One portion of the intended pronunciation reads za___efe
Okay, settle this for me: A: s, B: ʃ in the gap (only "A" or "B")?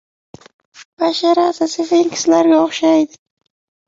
A